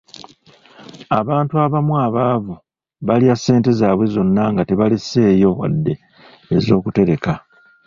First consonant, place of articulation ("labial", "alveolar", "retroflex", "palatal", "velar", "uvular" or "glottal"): labial